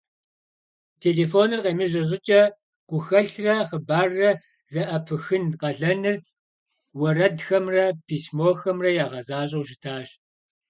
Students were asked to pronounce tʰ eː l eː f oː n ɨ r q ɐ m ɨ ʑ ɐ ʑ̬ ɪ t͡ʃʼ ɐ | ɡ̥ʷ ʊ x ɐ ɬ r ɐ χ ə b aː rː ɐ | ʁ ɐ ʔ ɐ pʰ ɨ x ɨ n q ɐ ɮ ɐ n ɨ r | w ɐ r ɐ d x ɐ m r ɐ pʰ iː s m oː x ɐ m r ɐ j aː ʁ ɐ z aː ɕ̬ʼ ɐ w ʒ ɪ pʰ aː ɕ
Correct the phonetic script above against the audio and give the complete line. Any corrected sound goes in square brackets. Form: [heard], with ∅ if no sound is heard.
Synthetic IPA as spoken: tʰ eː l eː f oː n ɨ r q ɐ m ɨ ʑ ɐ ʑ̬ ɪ t͡ʃʼ ɐ | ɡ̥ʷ ʊ x ɐ ɬ r ɐ χ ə b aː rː ɐ | [z] ɐ ʔ ɐ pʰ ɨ x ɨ n q ɐ ɮ ɐ n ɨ r | w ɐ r ɐ d x ɐ m r ɐ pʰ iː s m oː x ɐ m r ɐ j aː ʁ ɐ z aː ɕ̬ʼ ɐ w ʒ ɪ [tʰ] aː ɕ